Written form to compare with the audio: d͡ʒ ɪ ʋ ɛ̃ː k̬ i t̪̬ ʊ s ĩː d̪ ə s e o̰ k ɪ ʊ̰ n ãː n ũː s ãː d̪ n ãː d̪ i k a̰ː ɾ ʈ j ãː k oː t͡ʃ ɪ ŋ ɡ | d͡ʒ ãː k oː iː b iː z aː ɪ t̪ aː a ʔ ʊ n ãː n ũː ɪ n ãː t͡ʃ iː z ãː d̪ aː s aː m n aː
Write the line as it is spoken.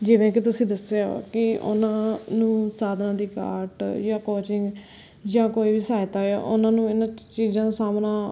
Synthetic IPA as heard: d͡ʒ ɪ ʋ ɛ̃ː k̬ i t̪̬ ʊ s ĩː d̪ ə s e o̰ k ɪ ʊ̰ n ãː n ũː s aː d̪ n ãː d̪ iː k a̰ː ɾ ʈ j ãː k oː t͡ʃ ɪ ŋ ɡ | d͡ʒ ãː k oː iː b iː s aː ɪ t̪ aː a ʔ ʊ n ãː n ũː ɪ n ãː t͡ʃ iː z ãː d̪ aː s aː m n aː

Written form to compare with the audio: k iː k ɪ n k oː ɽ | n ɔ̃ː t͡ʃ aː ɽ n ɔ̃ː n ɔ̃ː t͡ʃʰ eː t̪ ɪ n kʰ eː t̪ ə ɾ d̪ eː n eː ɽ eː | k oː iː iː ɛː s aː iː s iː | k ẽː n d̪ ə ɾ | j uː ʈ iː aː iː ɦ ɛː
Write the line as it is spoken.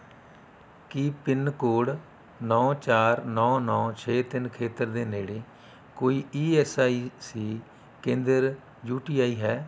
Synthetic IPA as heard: k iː p ɪ n k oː ɽ | n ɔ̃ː t͡ʃ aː ɾ n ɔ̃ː n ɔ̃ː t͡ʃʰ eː t̪ ɪ n kʰ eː t̪ ə ɾ d̪ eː n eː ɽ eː | k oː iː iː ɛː s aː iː s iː | k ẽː n d̪ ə ɾ | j uː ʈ iː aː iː ɦ ɛː

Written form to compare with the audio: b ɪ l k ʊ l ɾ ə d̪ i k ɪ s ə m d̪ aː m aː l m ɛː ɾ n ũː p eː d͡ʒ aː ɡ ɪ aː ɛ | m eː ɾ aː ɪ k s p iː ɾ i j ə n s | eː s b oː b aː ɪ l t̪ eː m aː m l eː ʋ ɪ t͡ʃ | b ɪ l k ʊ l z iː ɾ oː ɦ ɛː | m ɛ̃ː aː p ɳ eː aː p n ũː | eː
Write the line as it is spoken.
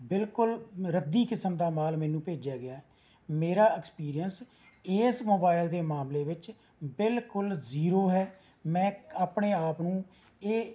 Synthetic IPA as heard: b ɪ l k ʊ l ɾ ə d̪ iː k ɪ s ə m d̪ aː m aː l m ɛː n ũː p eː d͡ʒ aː ɡ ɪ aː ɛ | m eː ɾ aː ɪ k s p iː ɾ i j ə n s | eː s m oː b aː ɪ l d̪ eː m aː m l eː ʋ ɪ t͡ʃ | b ɪ l k ʊ l z iː ɾ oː ɦ ɛː | m ɛ̃ː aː p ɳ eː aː p n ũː | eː

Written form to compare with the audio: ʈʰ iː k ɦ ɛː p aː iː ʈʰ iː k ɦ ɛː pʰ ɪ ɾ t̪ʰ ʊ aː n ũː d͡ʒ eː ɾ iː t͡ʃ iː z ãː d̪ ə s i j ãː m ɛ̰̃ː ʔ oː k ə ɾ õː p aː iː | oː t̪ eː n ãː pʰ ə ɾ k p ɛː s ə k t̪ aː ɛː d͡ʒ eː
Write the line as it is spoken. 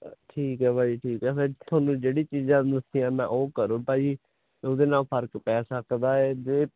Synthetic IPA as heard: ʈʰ iː k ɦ ɛː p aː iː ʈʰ iː k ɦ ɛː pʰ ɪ ɾ t̪ʰ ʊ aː n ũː d͡ʒ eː ɽ iː t͡ʃ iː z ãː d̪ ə s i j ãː m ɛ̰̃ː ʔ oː k ə ɾ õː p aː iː | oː d̪ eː n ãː pʰ ə ɾ k p ɛː s ə k d̪ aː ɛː d͡ʒ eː

